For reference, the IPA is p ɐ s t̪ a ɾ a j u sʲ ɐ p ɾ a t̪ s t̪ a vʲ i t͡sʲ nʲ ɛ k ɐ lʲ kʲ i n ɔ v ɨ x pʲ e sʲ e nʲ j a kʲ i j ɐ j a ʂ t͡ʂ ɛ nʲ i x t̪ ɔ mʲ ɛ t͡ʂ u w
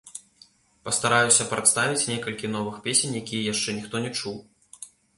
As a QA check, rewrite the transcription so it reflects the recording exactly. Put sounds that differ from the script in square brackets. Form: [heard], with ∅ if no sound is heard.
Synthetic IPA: p ɐ s t̪ a ɾ a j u sʲ ɐ p ɾ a t̪ s t̪ a vʲ i t͡sʲ nʲ ɛ k ɐ lʲ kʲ i n ɔ v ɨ x pʲ e sʲ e nʲ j a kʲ i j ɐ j a ʂ t͡ʂ ɛ nʲ i x t̪ ɔ [nʲ] ɛ t͡ʂ u w